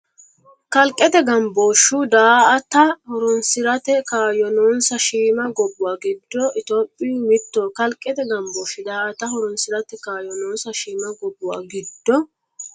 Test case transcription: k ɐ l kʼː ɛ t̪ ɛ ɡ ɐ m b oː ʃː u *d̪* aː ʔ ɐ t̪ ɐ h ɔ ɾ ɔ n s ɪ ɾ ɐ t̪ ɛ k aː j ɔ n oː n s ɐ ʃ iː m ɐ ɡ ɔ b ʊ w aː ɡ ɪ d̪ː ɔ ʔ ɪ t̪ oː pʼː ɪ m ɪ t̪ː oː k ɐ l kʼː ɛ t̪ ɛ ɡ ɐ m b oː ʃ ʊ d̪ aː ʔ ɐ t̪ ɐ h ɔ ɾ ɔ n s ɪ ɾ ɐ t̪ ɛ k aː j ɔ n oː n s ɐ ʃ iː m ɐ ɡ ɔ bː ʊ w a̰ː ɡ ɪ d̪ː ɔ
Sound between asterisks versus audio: correct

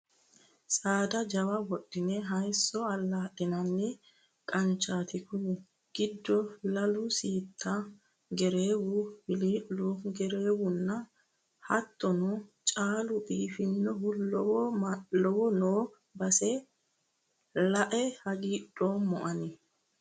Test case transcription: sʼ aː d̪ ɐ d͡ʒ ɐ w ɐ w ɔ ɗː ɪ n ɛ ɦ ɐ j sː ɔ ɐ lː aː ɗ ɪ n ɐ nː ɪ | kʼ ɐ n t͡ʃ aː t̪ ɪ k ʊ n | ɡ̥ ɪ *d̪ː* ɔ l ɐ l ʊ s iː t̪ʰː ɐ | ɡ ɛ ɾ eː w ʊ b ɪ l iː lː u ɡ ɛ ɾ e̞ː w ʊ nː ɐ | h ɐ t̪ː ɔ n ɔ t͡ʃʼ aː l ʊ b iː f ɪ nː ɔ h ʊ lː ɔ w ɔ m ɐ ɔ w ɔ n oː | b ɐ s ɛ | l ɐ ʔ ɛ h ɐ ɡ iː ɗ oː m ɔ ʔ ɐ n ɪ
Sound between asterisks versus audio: correct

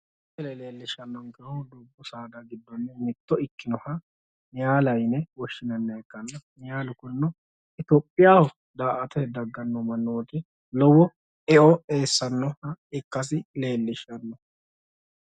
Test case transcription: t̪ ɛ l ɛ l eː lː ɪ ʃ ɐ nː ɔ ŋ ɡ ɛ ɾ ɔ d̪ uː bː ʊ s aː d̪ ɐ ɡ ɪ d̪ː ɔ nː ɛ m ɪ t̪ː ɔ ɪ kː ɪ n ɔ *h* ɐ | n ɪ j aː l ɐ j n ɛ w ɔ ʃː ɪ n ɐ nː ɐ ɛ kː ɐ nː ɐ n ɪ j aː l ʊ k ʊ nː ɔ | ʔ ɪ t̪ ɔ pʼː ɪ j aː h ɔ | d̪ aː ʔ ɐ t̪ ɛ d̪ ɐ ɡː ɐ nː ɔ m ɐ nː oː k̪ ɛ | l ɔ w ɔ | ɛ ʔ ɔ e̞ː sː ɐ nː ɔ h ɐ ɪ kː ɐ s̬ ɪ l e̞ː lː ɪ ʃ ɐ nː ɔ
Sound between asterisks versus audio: correct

